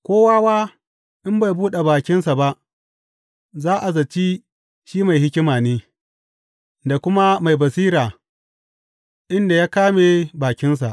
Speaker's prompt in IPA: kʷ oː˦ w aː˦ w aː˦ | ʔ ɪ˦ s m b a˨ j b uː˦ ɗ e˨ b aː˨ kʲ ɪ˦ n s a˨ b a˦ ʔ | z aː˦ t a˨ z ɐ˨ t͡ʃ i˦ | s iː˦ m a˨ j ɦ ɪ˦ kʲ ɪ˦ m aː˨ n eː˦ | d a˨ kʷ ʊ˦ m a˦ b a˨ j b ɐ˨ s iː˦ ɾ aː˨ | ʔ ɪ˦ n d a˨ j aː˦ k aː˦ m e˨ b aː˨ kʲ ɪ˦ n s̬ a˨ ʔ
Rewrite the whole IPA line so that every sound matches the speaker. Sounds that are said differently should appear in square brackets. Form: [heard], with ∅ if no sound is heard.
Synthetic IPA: kʷ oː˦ w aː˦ w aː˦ | ʔ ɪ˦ [∅] m b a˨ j b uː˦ ɗ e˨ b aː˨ kʲ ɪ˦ n s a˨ b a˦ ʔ | z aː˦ [ʔ] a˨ z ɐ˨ t͡ʃ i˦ | [ʃ] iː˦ m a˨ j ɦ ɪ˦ kʲ ɪ˦ m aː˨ n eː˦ | d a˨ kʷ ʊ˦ m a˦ [m] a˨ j b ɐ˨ s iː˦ ɾ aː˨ | ʔ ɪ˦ n d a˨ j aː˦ k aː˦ m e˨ b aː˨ kʲ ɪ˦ n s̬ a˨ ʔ